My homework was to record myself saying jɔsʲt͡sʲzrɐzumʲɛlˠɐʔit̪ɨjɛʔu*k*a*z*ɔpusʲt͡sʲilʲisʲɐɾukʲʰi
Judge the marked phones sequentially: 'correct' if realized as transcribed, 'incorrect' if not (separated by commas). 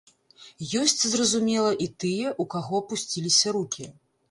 correct, incorrect